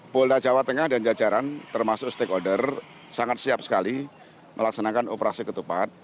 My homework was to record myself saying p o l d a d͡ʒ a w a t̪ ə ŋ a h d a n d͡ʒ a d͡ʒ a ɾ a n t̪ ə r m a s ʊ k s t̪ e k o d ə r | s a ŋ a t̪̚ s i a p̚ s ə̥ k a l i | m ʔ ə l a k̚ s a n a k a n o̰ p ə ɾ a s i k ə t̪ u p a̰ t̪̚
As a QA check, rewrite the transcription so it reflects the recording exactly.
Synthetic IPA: p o l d a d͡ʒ a w a t̪ ə ŋ a h d a n d͡ʒ a d͡ʒ a ɾ a n t̪ ə r m a s ʊ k s t̪ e k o d ə r | s a ŋ a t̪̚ s i a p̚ s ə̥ k a l i | m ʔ ə l a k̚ s a n a k a n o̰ p ə ɾ a s i k ə t̪ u p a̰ t̪̚